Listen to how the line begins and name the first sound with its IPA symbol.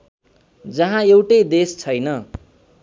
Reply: d͡z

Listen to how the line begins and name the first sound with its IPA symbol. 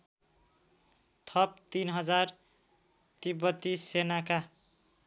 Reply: t̪ʰ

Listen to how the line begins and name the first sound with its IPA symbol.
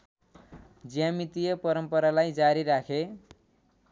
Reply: d͡z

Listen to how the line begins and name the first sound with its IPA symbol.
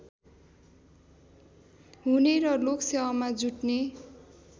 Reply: ɦ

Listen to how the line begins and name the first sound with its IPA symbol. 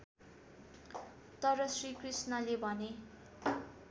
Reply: t̪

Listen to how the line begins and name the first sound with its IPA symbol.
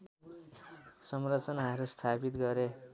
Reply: s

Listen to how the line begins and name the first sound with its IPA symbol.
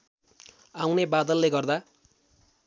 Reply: a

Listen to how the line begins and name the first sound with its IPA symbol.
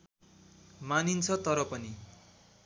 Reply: m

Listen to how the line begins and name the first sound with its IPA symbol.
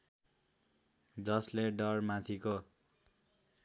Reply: d͡z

